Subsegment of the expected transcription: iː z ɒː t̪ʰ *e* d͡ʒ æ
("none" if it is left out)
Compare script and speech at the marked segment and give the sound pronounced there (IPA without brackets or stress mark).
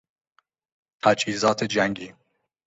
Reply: e